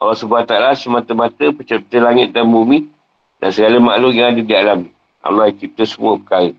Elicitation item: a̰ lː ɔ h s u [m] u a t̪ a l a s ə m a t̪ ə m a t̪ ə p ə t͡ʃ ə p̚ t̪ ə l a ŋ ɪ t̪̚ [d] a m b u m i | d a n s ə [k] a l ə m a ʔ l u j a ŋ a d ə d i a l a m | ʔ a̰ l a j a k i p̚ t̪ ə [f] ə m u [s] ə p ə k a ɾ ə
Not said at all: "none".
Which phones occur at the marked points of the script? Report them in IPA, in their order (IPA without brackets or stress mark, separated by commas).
b, d, ɡ, s, none